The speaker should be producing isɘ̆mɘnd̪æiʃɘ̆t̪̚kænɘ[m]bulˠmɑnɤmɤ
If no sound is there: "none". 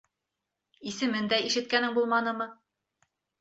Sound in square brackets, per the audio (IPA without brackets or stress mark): ŋ